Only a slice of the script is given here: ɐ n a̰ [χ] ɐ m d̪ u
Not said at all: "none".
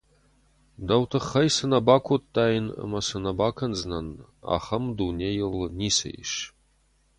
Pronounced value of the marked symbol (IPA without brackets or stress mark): χ